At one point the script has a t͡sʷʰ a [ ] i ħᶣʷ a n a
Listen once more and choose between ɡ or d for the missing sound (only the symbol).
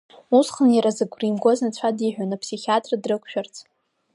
d